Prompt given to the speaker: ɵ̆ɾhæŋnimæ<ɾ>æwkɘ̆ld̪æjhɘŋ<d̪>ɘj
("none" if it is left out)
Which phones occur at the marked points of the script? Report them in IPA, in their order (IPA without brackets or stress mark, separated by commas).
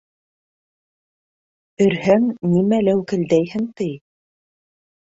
l, t̪